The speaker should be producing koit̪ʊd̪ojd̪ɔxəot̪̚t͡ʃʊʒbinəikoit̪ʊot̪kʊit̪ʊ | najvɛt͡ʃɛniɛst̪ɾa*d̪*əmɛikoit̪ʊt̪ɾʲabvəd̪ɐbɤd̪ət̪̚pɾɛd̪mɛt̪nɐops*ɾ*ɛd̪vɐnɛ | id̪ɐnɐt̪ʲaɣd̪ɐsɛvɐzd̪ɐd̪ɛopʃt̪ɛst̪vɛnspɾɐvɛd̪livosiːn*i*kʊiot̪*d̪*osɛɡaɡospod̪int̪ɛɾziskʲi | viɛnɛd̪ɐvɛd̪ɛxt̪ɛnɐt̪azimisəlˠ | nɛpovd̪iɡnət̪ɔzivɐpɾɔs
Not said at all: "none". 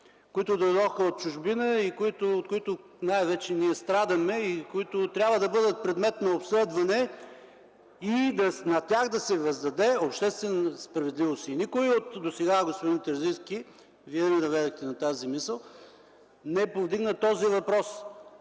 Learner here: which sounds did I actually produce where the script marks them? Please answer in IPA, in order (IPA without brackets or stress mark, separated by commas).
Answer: d̪, l, i, d̪